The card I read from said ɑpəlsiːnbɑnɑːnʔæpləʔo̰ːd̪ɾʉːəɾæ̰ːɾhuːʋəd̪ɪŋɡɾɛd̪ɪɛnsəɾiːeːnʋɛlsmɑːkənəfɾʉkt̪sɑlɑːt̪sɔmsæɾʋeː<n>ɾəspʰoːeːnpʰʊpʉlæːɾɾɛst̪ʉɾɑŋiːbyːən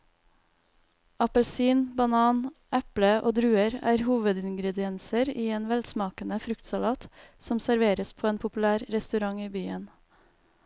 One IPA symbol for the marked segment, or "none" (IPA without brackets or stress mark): none